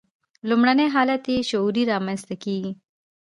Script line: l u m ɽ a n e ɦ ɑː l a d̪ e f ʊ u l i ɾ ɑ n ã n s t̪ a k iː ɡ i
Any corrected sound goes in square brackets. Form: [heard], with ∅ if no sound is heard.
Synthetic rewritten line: l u m ɽ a n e ɦ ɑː l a [t̪] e [ʃ] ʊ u [ɾ] i ɾ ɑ [m] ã n s t̪ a k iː ɡ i

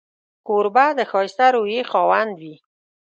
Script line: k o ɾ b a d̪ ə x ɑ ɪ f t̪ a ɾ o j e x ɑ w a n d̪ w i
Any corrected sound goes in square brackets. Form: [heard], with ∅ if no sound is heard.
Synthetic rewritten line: k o ɾ b a d̪ ə x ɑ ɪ [s] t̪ a ɾ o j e x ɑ w a n d̪ w i

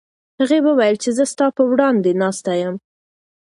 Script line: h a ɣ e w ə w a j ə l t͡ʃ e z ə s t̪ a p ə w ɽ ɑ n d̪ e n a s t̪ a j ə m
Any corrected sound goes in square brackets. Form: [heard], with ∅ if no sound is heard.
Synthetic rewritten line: h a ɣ e w ə w a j ə l t͡ʃ e z ə s t̪ [ɑ] p ə w ɽ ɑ n d̪ e n [ɑ] s t̪ a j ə m

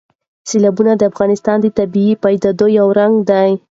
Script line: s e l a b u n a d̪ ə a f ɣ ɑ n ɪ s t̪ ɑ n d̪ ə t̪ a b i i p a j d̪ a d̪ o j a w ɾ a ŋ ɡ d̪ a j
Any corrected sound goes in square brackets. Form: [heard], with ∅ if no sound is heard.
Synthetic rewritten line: s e l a b u n a d̪ ə a f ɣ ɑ n ɪ s t̪ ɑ n d̪ ə t̪ a b i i p a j d̪ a d̪ o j a w ɾ a ŋ ɡ d̪ a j

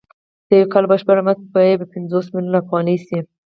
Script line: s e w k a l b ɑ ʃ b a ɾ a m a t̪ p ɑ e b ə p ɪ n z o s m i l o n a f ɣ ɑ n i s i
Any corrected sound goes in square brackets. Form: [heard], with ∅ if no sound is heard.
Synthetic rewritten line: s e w k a l b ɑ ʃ b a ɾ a m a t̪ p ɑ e b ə p ɪ n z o s m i l [u] n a f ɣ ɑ n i s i

